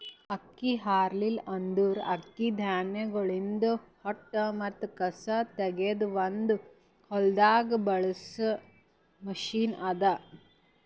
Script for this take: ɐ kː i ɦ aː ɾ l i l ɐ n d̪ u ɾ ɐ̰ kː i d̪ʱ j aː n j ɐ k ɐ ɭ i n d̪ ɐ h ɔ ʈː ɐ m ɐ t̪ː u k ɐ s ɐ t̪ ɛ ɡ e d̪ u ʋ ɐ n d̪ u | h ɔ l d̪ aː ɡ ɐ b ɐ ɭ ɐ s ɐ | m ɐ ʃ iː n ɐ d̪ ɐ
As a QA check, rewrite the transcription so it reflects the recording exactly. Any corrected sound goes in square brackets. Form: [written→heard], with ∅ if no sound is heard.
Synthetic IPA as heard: ɐ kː i ɦ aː ɾ l i l ɐ n d̪ u ɾ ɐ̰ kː i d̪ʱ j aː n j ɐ [k→ɡ] ɐ ɭ i n d̪ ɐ h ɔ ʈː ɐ m ɐ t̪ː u k ɐ s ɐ t̪ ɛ ɡ e d̪ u ʋ ɐ n d̪ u | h ɔ l d̪ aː ɡ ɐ b ɐ ɭ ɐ s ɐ | m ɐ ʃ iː n ɐ d̪ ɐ

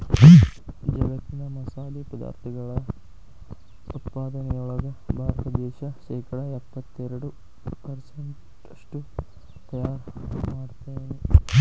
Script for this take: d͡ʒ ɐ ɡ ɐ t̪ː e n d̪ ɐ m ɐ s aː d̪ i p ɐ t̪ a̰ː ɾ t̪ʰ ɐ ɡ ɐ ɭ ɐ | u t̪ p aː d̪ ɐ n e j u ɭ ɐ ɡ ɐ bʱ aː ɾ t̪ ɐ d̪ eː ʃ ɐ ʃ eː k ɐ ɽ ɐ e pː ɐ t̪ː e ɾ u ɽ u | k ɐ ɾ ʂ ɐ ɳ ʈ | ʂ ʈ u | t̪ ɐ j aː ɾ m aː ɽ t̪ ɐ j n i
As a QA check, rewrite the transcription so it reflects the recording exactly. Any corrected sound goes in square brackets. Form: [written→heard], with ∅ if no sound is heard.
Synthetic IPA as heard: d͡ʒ ɐ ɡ ɐ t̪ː [e→i] n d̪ ɐ m ɐ s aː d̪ i p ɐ [t̪→d̪] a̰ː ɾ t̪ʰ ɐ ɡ ɐ ɭ ɐ | u t̪ p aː d̪ ɐ n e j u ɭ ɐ ɡ ɐ bʱ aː ɾ t̪ ɐ d̪ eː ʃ ɐ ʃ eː k ɐ ɽ ɐ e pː ɐ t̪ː e ɾ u ɽ u | [k→p] ɐ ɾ [ʂ→s] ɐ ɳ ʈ | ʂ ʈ u | t̪ ɐ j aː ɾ m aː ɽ t̪ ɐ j n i

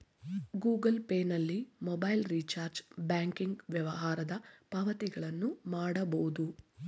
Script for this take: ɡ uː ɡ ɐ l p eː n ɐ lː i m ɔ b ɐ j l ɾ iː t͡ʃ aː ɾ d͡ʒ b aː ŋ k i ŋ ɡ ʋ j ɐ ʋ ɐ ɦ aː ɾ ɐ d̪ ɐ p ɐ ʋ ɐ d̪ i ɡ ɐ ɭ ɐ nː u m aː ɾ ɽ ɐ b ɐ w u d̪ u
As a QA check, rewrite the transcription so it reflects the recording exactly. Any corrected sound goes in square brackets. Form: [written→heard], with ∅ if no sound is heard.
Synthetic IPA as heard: ɡ uː ɡ ɐ l p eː n ɐ lː i m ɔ b ɐ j l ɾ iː t͡ʃ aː ɾ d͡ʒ b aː ŋ k i ŋ ɡ ʋ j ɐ ʋ ɐ ɦ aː ɾ ɐ d̪ ɐ p ɐ ʋ ɐ [d̪→t̪] i ɡ ɐ ɭ ɐ nː u m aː [ɾ→∅] ɽ ɐ b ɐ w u d̪ u

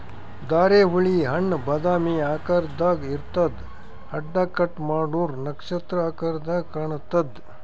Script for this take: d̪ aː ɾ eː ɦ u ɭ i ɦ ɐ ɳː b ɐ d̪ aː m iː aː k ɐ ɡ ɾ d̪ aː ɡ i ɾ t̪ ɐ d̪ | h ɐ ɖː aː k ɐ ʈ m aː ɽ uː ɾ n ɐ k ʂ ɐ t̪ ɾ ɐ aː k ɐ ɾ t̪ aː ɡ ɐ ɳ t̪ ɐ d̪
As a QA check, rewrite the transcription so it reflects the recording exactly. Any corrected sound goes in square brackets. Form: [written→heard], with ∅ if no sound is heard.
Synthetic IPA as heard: d̪ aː ɾ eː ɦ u ɭ i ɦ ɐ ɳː b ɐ d̪ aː m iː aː k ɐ [ɡ→∅] ɾ d̪ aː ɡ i ɾ t̪ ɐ d̪ | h ɐ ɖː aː k ɐ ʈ m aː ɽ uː ɾ n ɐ k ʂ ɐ t̪ ɾ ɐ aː k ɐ ɾ [t̪→d̪] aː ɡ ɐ ɳ t̪ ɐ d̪

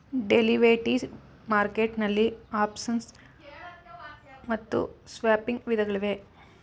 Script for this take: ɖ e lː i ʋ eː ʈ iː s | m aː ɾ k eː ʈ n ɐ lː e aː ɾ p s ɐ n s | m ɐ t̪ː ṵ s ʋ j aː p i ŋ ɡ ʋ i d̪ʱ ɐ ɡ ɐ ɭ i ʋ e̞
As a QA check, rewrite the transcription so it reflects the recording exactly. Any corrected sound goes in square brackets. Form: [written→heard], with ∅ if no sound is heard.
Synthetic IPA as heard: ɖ e [lː→l] i ʋ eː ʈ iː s | m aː ɾ k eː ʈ n ɐ lː [e→i] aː [ɾ→∅] p s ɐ n s | m ɐ t̪ː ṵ s ʋ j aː p i ŋ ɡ ʋ i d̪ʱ ɐ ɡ ɐ ɭ i ʋ e̞

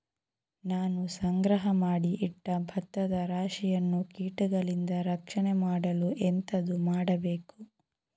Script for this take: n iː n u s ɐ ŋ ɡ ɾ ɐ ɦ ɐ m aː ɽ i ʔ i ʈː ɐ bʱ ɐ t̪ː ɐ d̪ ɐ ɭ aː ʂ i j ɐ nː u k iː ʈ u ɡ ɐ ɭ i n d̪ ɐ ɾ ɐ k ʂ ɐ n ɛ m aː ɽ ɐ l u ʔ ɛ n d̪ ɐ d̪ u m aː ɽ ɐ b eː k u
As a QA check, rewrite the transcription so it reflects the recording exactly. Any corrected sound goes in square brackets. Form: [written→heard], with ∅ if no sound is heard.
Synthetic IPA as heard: n [iː→aː] n u s ɐ ŋ ɡ ɾ ɐ ɦ ɐ m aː ɽ i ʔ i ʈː ɐ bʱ ɐ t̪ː ɐ d̪ ɐ [ɭ→ɾ] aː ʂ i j ɐ nː u k iː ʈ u ɡ ɐ ɭ i n d̪ ɐ ɾ ɐ k ʂ ɐ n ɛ m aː ɽ ɐ l u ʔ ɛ n [d̪→t̪] ɐ d̪ u m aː ɽ ɐ b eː k u

